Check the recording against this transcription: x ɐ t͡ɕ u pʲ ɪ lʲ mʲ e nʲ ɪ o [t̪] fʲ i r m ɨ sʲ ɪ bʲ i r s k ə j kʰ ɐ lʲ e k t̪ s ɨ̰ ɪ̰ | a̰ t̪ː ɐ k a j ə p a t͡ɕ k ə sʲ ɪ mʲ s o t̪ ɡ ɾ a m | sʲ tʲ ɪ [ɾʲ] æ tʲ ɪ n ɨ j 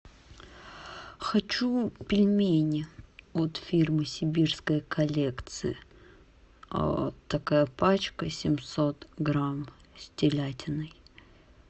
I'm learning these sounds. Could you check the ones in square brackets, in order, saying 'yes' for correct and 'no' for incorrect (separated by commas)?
yes, no